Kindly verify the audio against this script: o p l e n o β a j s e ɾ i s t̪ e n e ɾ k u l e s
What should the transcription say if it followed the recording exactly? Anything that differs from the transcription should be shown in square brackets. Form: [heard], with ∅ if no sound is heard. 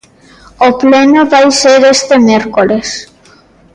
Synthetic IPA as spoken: o p l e n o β a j s e ɾ [e] s t̪ e [m] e ɾ k [o] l e s